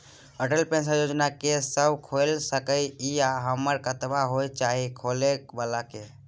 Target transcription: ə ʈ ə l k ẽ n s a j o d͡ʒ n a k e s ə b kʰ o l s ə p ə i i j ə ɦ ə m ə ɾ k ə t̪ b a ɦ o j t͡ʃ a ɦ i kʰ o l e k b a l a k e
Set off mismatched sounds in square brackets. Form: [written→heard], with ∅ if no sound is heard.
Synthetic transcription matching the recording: ə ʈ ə l [k→p] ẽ n s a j o d͡ʒ n a k e s ə b kʰ o l s ə [p→k] ə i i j [ə→a] ɦ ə m ə ɾ k ə t̪ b a ɦ o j t͡ʃ a ɦ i kʰ o l e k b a l a k e